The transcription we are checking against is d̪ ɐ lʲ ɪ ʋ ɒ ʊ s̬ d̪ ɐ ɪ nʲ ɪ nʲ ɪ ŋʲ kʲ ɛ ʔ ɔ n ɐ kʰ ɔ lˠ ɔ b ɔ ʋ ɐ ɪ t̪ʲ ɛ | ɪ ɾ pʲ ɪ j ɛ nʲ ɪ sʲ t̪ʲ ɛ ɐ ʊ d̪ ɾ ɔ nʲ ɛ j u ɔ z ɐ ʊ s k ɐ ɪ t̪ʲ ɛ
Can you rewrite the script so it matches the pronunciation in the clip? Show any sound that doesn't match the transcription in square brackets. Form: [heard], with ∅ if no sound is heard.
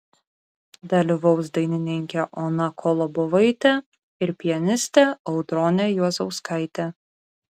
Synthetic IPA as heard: d̪ ɐ lʲ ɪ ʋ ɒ ʊ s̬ d̪ ɐ ɪ nʲ ɪ nʲ ɪ ŋʲ kʲ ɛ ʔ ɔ n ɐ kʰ ɔ lˠ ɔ b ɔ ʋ ɐ ɪ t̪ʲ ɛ | ɪ ɾ pʲ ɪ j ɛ nʲ ɪ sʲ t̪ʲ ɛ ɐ ʊ d̪ ɾ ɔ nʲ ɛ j u ɔ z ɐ ʊ s k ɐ ɪ t̪ʲ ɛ

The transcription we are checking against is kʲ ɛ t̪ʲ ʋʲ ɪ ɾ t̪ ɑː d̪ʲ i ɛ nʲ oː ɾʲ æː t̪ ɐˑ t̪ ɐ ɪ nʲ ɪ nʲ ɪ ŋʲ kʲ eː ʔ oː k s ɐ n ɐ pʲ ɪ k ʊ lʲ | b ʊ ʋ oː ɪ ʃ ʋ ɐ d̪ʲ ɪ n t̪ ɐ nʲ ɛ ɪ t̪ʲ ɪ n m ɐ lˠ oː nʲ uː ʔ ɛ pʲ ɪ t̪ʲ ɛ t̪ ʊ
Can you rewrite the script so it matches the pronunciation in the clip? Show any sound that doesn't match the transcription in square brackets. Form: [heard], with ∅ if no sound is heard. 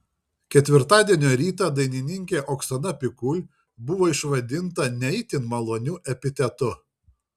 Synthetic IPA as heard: kʲ ɛ t̪ʲ ʋʲ ɪ ɾ t̪ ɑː d̪ʲ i ɛ nʲ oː ɾʲ [iː] t̪ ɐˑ [d̪] ɐ ɪ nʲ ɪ nʲ ɪ ŋʲ kʲ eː ʔ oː k s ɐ n ɐ pʲ ɪ k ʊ lʲ | b ʊ ʋ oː ɪ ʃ ʋ ɐ d̪ʲ ɪ n t̪ ɐ nʲ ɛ ɪ t̪ʲ ɪ n m ɐ lˠ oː nʲ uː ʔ ɛ pʲ ɪ t̪ʲ ɛ t̪ ʊ

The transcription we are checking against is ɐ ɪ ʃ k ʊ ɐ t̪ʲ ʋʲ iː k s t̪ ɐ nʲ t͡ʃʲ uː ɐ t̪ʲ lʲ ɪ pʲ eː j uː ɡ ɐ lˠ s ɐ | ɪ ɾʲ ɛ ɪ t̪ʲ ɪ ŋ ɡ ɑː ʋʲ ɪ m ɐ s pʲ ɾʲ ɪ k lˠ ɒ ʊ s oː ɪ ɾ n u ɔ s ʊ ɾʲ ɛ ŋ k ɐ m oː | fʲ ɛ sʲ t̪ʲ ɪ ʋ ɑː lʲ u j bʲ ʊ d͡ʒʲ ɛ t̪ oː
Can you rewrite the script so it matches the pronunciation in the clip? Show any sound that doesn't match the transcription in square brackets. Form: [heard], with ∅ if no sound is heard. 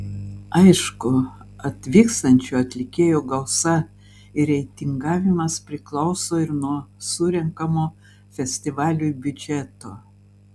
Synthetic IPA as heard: ɐ ɪ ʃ k ʊ ɐ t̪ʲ ʋʲ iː k s t̪ ɐ nʲ t͡ʃʲ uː ɐ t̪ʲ lʲ ɪ [kʲ] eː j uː ɡ ɐ lˠ s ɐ | ɪ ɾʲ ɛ ɪ t̪ʲ ɪ ŋ ɡ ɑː ʋʲ ɪ m ɐ s pʲ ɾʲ ɪ k lˠ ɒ ʊ s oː ɪ ɾ n u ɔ s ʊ ɾʲ ɛ ŋ k ɐ m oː | fʲ ɛ sʲ t̪ʲ ɪ ʋ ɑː lʲ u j bʲ ʊ d͡ʒʲ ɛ t̪ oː

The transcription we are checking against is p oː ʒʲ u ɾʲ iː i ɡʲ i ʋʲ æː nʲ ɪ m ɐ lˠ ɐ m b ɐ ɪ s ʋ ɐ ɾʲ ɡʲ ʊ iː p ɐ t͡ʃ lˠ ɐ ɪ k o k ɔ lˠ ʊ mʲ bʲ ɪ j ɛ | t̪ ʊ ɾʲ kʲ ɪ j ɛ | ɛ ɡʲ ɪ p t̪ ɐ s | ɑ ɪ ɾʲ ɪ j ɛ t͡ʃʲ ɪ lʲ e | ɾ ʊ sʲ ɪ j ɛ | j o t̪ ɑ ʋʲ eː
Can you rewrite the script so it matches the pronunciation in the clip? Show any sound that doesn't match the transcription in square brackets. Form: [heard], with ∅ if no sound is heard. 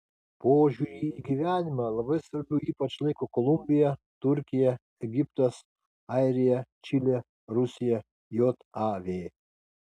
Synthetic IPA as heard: p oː ʒʲ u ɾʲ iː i ɡʲ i ʋʲ æː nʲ ɪ m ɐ lˠ ɐ [∅] b ɐ ɪ s ʋ ɐ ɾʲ [bʲ] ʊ iː p ɐ t͡ʃ lˠ ɐ ɪ k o k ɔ lˠ ʊ mʲ bʲ ɪ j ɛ | t̪ ʊ ɾʲ kʲ ɪ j ɛ | ɛ ɡʲ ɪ p t̪ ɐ s | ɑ ɪ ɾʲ ɪ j ɛ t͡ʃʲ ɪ lʲ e | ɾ ʊ sʲ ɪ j ɛ | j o t̪ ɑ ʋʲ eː

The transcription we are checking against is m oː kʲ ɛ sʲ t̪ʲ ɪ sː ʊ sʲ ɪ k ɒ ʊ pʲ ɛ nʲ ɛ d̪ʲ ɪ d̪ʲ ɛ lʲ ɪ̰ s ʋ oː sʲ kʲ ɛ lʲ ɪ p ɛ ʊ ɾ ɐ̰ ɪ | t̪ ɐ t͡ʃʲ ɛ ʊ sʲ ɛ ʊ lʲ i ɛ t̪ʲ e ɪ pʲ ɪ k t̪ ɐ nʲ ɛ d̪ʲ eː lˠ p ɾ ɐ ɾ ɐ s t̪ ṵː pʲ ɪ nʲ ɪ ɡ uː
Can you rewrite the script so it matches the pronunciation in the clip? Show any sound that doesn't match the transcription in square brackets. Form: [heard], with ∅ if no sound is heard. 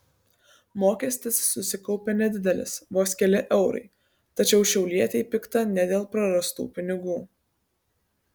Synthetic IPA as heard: m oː kʲ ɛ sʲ t̪ʲ ɪ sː ʊ sʲ ɪ k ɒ ʊ pʲ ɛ nʲ ɛ d̪ʲ ɪ d̪ʲ ɛ lʲ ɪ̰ s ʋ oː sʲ kʲ ɛ lʲ ɪ [ʔ] ɛ ʊ ɾ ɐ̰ ɪ | t̪ ɐ t͡ʃʲ ɛ ʊ [ʃʲ] ɛ ʊ lʲ i ɛ t̪ʲ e ɪ pʲ ɪ k t̪ ɐ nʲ ɛ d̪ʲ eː lˠ p ɾ ɐ ɾ ɐ s t̪ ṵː pʲ ɪ nʲ ɪ ɡ uː

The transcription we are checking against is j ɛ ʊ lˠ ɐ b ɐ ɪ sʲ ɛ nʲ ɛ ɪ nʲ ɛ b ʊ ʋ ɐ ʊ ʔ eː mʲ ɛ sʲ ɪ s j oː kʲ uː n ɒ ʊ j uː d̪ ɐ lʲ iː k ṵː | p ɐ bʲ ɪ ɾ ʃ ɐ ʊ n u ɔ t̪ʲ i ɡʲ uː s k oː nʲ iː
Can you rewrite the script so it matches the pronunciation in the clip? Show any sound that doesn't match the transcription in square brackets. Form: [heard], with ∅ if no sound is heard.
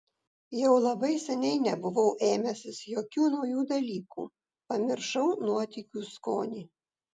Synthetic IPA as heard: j ɛ ʊ lˠ ɐ b ɐ ɪ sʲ ɛ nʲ ɛ ɪ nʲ ɛ b ʊ ʋ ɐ ʊ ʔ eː mʲ ɛ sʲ ɪ s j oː kʲ uː n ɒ ʊ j uː d̪ ɐ lʲ iː k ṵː | p ɐ [mʲ] ɪ ɾ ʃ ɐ ʊ n u ɔ t̪ʲ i [kʲ] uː s k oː nʲ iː

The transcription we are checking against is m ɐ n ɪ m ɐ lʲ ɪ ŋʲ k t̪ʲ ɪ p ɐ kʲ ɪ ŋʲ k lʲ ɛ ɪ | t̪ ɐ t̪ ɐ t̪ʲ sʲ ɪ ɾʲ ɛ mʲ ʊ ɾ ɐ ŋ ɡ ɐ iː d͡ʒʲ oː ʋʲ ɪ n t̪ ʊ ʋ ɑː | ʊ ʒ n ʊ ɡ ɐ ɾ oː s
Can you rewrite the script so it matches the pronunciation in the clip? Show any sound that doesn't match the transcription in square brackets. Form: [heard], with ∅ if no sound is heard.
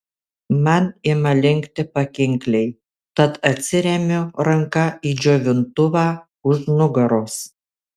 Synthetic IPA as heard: m ɐ n ɪ m ɐ lʲ ɪ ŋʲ k t̪ʲ ɪ p ɐ kʲ ɪ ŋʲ k lʲ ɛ ɪ | t̪ ɐ t̪ ɐ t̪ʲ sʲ ɪ ɾʲ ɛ mʲ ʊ ɾ ɐ ŋ [k] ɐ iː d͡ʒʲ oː ʋʲ ɪ n t̪ ʊ ʋ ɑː | ʊ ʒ n ʊ ɡ ɐ ɾ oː s

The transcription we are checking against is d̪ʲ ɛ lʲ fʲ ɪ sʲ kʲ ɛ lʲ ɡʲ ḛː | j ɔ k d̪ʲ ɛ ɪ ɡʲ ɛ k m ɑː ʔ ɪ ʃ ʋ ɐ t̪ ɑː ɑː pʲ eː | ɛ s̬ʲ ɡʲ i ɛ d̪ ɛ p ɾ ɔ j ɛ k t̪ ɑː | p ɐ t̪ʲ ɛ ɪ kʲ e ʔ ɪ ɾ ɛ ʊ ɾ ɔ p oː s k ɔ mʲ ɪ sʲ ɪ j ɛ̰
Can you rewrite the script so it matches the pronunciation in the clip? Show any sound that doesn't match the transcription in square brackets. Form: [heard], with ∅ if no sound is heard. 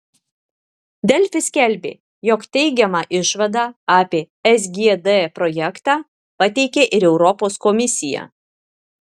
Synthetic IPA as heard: d̪ʲ ɛ lʲ fʲ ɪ sʲ kʲ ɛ lʲ [bʲ] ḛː | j ɔ k [t̪ʲ] ɛ ɪ ɡʲ ɛ [∅] m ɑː ʔ ɪ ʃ ʋ ɐ [d̪] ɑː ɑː pʲ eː | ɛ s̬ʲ ɡʲ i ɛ d̪ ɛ p ɾ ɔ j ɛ k t̪ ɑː | p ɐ t̪ʲ ɛ ɪ kʲ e ʔ ɪ ɾ ɛ ʊ ɾ ɔ p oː s k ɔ mʲ ɪ sʲ ɪ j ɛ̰

